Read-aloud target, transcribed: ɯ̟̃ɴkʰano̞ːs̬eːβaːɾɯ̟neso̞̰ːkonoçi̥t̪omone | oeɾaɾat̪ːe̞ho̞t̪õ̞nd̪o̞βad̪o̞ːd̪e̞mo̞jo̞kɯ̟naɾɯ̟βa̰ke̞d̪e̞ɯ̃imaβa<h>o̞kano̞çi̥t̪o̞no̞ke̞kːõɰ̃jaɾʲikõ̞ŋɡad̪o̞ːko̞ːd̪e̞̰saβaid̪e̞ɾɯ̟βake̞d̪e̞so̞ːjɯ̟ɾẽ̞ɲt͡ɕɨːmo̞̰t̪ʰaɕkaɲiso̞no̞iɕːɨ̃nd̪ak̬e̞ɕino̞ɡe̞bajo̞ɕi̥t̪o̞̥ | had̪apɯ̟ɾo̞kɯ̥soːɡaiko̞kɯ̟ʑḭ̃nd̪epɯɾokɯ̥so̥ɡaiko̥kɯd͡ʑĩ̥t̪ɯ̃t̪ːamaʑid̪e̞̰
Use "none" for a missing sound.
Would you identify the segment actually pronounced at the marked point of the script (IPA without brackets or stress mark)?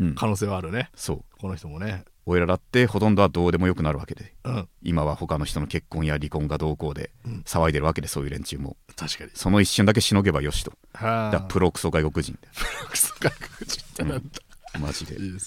h